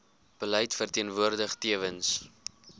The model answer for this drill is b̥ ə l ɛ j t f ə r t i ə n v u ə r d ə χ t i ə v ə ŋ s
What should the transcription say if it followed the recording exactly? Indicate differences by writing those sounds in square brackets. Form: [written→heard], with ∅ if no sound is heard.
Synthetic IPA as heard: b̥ ə l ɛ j t f ə r t i ə n v u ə r d ə χ t i ə v ə [ŋ→n] s